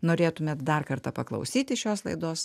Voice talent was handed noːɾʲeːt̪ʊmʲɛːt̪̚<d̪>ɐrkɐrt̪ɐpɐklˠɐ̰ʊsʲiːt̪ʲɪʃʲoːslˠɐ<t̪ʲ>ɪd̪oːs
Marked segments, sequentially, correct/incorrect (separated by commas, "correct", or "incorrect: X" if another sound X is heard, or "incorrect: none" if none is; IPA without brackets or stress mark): correct, incorrect: none